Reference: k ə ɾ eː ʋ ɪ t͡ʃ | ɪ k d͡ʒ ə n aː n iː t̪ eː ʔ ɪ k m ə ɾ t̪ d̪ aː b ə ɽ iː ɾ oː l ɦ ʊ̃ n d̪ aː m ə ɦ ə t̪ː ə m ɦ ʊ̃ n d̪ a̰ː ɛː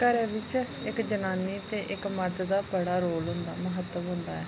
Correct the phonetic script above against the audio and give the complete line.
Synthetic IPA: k ə ɾ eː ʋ ɪ t͡ʃ | ɪ k d͡ʒ ə n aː n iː t̪ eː ʔ ɪ k m ə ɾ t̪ d̪ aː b ə ɽ aː ɾ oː l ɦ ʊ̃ n d̪ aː m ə ɦ ə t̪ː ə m ɦ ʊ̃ n d̪ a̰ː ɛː